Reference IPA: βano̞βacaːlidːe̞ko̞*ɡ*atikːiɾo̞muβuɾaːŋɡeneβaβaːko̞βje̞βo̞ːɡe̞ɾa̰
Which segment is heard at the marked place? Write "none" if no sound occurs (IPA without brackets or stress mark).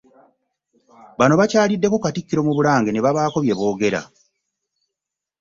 k